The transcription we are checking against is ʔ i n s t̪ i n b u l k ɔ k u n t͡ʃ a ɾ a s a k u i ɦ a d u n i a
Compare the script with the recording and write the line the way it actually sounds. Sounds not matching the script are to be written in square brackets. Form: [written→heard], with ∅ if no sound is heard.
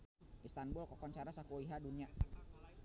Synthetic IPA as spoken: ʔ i [n→∅] s t̪ [i→a] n b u l k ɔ k [u→ɔ] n t͡ʃ a ɾ a s a k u i ɦ a d u n i a